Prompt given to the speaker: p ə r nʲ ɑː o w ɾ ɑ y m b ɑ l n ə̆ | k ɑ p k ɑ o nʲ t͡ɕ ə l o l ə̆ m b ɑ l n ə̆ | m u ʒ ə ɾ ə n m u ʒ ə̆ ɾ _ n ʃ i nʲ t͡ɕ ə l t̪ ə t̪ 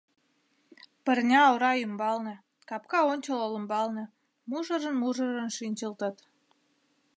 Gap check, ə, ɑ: ə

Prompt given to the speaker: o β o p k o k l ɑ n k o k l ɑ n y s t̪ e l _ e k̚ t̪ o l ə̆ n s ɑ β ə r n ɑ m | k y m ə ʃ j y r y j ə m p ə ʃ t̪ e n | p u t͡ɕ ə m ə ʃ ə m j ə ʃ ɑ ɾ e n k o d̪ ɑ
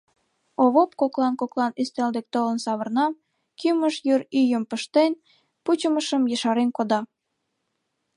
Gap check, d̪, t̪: d̪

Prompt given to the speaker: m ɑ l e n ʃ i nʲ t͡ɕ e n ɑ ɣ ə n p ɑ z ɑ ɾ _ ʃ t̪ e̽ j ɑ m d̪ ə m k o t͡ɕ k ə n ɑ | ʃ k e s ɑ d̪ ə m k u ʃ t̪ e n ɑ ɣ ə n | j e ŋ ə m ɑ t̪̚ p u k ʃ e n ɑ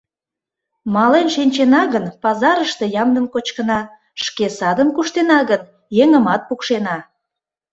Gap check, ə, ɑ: ə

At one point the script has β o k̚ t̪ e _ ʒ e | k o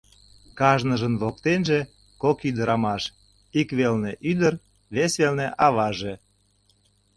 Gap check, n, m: n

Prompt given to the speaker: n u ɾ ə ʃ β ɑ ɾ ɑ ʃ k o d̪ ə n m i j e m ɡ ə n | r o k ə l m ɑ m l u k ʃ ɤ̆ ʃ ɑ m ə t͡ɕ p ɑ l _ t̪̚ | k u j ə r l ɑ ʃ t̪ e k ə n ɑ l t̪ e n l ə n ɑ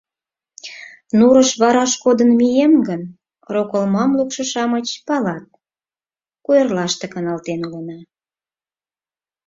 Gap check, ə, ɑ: ɑ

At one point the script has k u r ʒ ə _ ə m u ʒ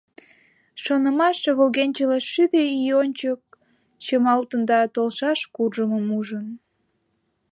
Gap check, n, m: m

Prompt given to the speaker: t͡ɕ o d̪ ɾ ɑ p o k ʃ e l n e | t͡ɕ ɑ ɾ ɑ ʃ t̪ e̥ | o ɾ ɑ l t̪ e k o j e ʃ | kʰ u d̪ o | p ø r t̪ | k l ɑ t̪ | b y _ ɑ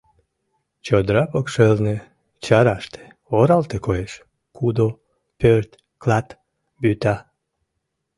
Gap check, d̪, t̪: t̪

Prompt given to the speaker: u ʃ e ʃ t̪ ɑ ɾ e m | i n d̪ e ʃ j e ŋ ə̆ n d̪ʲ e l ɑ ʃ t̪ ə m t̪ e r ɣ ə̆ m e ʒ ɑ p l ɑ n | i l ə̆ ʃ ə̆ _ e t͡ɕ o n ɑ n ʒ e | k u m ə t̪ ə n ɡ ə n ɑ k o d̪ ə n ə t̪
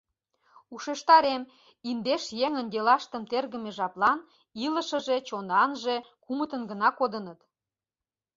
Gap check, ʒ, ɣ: ʒ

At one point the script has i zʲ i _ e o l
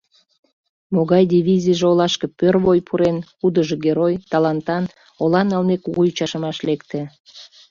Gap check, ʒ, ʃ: ʒ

